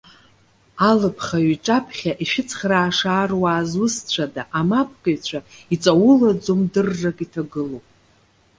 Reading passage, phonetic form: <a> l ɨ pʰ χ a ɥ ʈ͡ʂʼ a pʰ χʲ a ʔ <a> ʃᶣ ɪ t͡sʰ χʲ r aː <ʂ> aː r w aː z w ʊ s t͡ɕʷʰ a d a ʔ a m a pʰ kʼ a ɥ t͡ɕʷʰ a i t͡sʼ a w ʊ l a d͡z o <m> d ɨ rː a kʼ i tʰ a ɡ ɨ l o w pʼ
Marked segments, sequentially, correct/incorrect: correct, incorrect, correct, correct

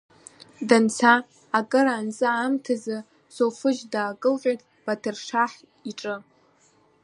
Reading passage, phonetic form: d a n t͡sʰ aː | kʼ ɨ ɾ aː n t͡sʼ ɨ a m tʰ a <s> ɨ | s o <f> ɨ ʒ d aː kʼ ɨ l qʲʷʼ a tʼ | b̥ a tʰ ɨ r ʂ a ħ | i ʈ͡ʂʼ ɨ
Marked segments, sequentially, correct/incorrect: incorrect, correct

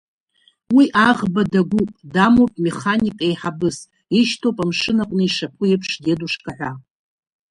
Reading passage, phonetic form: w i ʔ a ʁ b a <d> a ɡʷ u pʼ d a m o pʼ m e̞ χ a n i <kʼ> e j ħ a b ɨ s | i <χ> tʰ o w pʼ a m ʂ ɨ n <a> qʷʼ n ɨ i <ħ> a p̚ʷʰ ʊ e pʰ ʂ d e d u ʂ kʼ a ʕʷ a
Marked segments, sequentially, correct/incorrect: correct, correct, incorrect, correct, incorrect

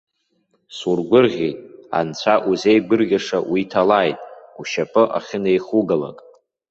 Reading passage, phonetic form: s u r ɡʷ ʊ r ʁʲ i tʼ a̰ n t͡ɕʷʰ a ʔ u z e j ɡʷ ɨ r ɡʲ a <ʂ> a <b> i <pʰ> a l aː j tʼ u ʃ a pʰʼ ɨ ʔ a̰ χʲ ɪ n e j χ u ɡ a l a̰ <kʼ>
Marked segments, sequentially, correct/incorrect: correct, incorrect, incorrect, correct

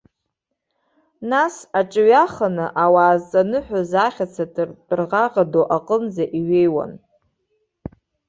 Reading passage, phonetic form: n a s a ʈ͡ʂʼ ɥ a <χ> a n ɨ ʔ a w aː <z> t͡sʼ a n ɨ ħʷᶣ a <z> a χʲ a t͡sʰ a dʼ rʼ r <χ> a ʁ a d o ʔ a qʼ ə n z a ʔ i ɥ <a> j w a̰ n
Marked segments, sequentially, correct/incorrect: correct, correct, correct, incorrect, incorrect

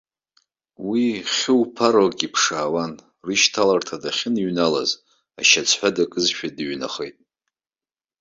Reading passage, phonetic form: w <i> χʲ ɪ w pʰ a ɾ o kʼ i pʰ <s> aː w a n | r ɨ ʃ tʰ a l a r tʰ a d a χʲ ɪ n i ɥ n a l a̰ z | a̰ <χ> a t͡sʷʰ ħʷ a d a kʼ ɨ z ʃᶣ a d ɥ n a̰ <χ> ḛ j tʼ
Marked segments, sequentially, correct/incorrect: correct, incorrect, incorrect, correct

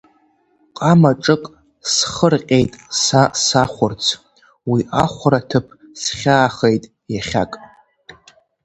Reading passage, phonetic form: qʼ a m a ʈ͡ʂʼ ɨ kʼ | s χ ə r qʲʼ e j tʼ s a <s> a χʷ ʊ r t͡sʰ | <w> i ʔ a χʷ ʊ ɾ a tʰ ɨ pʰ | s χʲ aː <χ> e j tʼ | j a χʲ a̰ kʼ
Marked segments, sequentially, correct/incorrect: correct, correct, correct

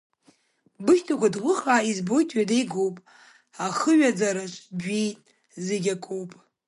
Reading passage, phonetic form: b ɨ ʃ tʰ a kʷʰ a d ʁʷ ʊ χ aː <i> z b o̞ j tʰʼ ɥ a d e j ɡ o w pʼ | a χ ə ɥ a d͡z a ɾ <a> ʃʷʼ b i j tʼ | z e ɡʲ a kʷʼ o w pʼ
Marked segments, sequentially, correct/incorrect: correct, correct

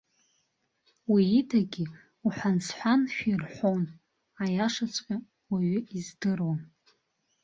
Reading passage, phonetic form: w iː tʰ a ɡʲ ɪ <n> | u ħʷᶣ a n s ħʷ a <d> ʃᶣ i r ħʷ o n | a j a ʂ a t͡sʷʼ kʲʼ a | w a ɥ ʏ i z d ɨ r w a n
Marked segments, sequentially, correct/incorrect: incorrect, incorrect

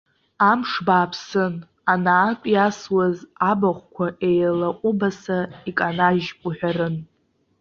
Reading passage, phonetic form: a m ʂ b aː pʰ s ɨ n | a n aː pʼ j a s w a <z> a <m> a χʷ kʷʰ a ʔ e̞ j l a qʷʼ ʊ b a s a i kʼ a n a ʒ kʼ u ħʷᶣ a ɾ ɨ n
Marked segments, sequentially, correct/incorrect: correct, incorrect

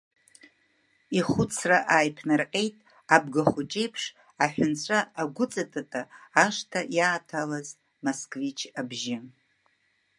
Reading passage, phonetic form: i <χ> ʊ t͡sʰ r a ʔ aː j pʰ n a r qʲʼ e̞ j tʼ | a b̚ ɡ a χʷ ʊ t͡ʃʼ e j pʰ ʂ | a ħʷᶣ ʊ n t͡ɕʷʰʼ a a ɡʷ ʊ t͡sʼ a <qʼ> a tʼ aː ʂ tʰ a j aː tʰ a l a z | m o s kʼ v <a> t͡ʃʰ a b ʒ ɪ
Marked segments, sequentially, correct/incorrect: correct, incorrect, incorrect

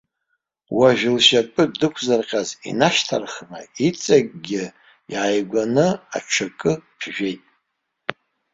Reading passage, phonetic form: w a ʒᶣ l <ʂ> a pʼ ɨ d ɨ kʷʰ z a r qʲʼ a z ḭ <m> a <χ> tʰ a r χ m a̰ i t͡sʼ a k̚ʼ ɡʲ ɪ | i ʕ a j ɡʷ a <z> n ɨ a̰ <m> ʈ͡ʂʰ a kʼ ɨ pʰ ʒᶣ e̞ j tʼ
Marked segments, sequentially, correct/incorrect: incorrect, incorrect, incorrect, incorrect, incorrect

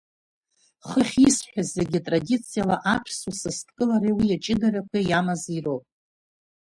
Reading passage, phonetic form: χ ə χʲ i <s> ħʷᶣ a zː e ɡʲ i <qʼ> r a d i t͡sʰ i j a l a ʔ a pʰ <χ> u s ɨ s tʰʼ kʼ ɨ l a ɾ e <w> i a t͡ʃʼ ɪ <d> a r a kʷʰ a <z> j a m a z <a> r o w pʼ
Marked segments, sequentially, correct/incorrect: correct, incorrect, incorrect, correct, correct, incorrect, incorrect

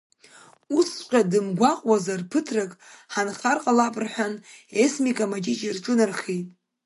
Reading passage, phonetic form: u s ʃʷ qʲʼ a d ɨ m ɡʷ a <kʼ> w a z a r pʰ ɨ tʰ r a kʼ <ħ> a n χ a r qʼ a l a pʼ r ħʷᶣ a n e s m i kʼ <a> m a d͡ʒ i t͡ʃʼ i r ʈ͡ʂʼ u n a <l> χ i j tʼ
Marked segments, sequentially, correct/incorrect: incorrect, correct, correct, incorrect

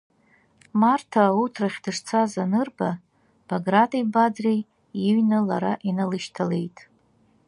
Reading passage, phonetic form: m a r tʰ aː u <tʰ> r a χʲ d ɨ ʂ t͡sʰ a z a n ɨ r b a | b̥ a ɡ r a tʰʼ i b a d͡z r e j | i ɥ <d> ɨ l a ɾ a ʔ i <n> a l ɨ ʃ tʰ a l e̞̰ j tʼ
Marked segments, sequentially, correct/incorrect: correct, incorrect, correct

